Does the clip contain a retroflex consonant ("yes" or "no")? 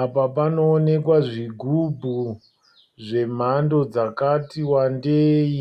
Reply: yes